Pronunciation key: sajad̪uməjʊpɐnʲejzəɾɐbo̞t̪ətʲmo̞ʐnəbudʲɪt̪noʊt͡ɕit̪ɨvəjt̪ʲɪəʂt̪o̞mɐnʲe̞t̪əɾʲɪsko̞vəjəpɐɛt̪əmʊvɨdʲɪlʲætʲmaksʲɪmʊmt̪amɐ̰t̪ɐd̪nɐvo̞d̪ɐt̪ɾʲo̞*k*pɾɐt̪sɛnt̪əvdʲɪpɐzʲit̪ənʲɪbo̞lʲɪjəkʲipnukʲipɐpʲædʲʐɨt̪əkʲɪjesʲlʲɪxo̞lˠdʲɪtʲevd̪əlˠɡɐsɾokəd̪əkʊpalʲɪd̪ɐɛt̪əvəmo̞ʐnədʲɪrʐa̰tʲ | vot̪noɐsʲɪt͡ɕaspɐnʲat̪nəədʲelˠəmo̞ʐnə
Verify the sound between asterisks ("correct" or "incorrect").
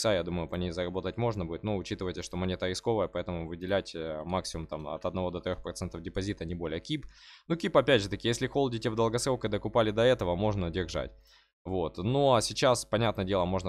incorrect